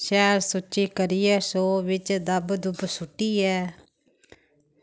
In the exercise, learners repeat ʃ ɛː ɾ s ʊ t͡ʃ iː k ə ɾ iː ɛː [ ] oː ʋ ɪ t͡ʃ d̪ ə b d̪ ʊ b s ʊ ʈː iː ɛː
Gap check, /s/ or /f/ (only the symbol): s